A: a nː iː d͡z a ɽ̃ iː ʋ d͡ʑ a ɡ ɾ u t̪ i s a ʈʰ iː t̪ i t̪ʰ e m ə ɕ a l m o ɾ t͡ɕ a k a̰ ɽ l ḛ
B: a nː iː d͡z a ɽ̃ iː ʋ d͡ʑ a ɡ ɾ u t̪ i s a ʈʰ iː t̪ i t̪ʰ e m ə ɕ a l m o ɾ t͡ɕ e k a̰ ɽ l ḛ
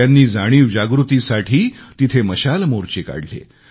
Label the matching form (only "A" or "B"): B